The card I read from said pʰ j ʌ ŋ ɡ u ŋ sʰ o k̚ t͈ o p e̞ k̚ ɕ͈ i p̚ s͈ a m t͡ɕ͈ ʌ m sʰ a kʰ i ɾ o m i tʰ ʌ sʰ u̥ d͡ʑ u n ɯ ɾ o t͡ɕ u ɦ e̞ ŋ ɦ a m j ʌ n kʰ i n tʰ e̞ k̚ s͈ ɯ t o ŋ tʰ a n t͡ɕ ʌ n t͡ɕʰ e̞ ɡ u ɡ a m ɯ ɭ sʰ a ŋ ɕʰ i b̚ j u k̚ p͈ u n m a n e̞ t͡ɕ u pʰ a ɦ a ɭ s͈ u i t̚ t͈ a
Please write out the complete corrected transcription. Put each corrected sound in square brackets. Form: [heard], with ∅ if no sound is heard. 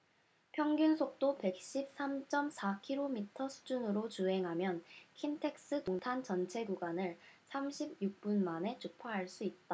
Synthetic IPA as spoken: pʰ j ʌ ŋ ɡ u [n] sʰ o k̚ t͈ o p e̞ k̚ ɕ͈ i p̚ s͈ a m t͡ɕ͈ ʌ m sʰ a kʰ i ɾ o m i tʰ ʌ sʰ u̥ d͡ʑ u n ɯ ɾ o t͡ɕ u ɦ e̞ ŋ ɦ a m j ʌ n kʰ i n tʰ e̞ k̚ s͈ ɯ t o ŋ tʰ a n t͡ɕ ʌ n t͡ɕʰ e̞ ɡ u ɡ a [n] ɯ ɭ sʰ a [m] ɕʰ i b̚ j u k̚ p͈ u n m a n e̞ t͡ɕ u pʰ a ɦ a ɭ s͈ u i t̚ t͈ a